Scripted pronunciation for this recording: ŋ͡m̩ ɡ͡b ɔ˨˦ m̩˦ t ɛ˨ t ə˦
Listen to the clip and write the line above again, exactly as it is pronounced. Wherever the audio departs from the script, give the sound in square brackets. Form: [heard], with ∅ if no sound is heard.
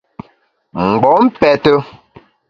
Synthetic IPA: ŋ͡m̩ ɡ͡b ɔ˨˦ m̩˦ [p] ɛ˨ t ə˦